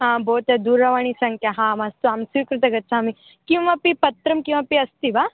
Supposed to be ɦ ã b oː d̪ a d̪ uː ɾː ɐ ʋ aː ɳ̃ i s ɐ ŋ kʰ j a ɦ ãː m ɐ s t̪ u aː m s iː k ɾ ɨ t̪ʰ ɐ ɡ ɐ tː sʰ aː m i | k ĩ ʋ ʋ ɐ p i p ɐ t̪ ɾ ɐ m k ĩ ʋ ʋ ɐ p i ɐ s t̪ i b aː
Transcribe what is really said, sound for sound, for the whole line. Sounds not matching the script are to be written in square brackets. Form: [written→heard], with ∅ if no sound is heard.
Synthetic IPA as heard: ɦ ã b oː [d̪→t̪] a d̪ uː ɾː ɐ ʋ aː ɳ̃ i s ɐ ŋ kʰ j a ɦ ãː m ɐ s t̪ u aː m s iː k ɾ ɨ [t̪ʰ→t̪] ɐ ɡ ɐ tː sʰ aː m i | k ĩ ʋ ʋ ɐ p i p ɐ t̪ ɾ ɐ m k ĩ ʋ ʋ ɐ p i ɐ s t̪ i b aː